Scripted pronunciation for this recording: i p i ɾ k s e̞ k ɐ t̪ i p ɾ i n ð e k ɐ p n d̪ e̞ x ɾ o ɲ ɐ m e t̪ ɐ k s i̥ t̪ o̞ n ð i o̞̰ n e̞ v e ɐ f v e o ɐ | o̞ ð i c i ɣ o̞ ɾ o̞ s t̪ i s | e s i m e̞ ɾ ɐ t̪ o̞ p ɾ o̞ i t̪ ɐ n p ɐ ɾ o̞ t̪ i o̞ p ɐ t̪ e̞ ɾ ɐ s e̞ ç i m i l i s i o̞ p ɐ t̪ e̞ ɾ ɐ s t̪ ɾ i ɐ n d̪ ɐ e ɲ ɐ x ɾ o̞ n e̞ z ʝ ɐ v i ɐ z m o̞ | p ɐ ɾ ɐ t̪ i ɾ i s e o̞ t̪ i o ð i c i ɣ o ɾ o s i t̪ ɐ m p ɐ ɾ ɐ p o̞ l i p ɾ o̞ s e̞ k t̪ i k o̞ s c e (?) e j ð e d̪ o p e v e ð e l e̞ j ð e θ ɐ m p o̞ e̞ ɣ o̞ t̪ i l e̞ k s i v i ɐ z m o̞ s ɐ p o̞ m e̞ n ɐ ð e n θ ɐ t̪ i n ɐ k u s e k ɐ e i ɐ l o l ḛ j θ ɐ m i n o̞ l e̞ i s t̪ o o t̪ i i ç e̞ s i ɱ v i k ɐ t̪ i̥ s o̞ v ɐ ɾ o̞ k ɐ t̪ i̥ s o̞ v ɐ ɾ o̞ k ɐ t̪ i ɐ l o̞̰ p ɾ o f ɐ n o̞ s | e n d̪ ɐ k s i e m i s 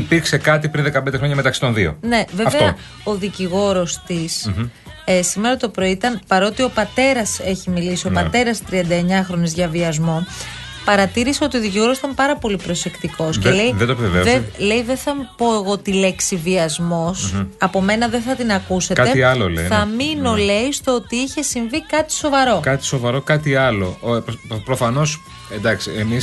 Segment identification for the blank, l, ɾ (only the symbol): l